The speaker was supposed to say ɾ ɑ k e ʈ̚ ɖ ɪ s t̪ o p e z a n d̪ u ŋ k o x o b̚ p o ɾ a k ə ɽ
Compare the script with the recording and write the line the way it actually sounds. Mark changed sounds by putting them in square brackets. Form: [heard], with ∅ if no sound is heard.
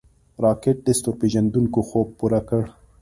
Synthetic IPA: ɾ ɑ k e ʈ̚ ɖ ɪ s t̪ o p e [ʒ] a n d̪ u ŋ k o x o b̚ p [u] ɾ a k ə ɽ